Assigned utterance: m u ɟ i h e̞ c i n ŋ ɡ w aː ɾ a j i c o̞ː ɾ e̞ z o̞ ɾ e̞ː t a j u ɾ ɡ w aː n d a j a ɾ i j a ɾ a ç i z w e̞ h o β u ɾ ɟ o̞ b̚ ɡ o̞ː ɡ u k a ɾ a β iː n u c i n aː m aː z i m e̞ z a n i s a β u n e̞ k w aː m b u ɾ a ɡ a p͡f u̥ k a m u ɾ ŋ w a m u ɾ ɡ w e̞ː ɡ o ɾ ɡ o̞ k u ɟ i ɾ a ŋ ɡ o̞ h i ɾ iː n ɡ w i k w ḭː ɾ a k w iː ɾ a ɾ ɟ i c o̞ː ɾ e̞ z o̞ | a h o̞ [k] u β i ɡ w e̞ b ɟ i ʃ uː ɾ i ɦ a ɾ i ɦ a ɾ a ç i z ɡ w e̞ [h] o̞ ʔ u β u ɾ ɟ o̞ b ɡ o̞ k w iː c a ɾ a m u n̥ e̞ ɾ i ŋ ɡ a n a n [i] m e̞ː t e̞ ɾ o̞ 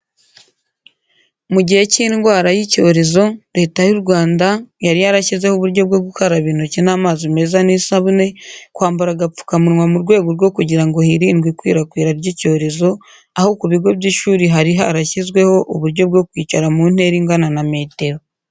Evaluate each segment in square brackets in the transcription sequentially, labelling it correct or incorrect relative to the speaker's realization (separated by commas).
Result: correct, correct, incorrect